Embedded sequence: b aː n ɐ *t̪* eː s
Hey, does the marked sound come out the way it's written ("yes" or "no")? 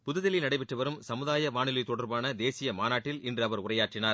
no